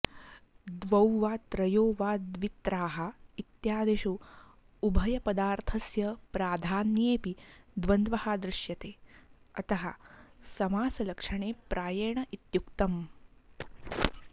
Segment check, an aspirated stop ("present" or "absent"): present